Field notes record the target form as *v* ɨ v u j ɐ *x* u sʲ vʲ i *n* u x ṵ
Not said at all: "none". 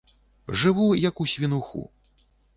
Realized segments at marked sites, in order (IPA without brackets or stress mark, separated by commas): ʐ, k, n